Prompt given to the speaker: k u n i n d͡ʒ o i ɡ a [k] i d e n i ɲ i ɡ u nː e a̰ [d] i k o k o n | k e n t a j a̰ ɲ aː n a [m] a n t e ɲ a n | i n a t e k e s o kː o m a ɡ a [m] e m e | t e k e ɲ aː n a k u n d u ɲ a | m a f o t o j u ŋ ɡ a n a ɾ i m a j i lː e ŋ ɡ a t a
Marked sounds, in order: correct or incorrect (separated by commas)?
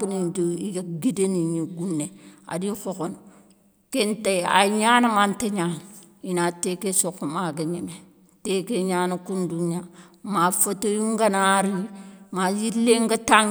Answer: incorrect, correct, correct, incorrect